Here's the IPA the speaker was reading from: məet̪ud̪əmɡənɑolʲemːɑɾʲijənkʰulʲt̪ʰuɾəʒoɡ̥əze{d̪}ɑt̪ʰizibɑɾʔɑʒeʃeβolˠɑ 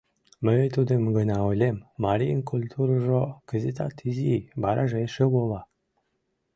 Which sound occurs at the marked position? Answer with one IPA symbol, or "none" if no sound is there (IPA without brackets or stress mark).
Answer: t̪